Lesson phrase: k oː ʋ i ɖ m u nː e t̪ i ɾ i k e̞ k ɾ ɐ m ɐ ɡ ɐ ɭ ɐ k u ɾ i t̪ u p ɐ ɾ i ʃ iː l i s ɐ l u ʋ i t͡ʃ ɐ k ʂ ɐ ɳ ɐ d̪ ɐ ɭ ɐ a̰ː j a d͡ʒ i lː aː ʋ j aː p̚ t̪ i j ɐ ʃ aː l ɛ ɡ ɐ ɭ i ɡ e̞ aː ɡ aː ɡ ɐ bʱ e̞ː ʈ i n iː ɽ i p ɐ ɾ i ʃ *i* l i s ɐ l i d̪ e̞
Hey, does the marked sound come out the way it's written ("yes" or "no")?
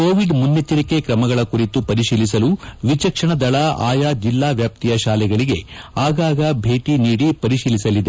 no